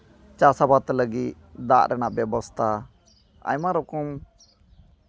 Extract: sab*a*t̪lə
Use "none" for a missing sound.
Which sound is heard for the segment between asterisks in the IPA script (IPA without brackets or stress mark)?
a